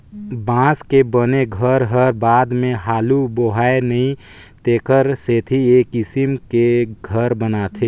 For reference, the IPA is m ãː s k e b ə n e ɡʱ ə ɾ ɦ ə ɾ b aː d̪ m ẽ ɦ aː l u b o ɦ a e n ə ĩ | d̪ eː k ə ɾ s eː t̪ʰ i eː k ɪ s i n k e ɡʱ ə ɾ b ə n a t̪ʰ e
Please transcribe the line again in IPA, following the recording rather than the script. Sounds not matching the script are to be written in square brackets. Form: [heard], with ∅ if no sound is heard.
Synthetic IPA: [b] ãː s k e b ə n e ɡʱ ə ɾ ɦ ə ɾ b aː d̪ m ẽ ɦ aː l u b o ɦ a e n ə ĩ | [t̪] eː k ə ɾ s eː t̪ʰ i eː k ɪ s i [m] k e ɡʱ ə ɾ b ə n a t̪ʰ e